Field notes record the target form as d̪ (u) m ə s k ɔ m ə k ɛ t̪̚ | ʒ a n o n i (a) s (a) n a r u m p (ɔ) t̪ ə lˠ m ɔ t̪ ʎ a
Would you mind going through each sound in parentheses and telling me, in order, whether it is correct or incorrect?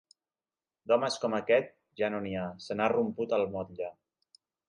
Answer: incorrect: ɔ, correct, incorrect: ə, incorrect: u

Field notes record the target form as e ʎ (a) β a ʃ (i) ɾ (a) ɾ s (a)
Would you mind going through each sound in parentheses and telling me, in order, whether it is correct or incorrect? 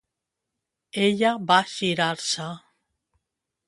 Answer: correct, correct, correct, correct

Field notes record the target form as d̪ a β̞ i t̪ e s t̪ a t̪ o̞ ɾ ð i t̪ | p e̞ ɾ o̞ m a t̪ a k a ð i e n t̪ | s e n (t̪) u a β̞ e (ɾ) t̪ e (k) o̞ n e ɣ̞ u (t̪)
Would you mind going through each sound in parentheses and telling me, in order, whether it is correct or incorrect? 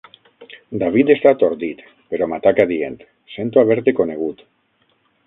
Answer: correct, correct, correct, correct

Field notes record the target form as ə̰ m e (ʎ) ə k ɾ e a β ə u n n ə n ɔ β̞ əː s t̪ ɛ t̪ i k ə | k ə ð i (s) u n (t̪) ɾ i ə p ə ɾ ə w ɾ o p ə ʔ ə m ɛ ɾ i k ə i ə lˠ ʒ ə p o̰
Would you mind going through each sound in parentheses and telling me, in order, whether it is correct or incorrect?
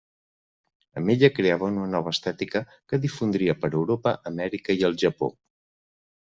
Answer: correct, incorrect: f, incorrect: d̪

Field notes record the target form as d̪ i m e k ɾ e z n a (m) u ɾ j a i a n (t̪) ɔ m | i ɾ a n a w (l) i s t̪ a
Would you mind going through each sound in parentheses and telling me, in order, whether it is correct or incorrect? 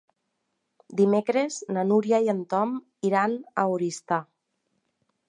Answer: incorrect: n, correct, incorrect: ɾ

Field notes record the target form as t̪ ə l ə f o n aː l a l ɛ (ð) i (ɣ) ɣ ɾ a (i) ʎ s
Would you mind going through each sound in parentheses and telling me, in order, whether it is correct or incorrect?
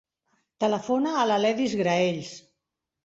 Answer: correct, incorrect: z, incorrect: e

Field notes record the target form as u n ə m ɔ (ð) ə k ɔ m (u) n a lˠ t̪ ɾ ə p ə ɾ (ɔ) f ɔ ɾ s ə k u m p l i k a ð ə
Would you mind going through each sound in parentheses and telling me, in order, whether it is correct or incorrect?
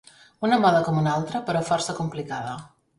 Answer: correct, correct, correct

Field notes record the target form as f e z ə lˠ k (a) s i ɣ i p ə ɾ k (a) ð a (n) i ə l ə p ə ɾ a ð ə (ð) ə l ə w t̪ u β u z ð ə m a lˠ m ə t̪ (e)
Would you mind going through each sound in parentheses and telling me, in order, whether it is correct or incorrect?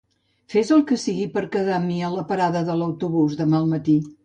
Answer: incorrect: ə, incorrect: ə, incorrect: m, correct, incorrect: i

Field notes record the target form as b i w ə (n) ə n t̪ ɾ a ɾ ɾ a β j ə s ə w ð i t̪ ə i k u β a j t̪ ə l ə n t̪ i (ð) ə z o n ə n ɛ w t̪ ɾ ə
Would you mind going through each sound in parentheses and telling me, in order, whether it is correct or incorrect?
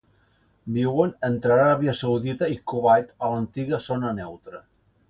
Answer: correct, incorrect: ɣ

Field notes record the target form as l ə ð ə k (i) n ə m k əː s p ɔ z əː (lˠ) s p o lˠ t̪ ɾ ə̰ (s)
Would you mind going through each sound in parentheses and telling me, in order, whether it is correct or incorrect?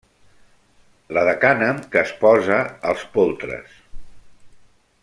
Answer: incorrect: a, correct, correct

